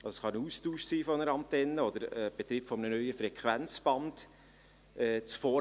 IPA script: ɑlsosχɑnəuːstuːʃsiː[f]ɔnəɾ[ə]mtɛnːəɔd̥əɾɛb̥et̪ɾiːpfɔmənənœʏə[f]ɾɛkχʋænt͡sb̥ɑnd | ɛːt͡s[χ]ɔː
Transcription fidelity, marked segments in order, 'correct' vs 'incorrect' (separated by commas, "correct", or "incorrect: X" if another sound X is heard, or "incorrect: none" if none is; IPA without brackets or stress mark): correct, incorrect: ɑ, correct, incorrect: f